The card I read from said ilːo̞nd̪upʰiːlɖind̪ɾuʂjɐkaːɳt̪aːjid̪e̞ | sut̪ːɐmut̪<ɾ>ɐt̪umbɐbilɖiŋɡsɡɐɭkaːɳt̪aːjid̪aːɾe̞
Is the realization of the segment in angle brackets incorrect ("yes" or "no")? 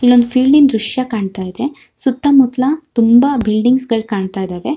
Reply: yes